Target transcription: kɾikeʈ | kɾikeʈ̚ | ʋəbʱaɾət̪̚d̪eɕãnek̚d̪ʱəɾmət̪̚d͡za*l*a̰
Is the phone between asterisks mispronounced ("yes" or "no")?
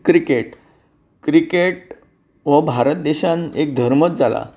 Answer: no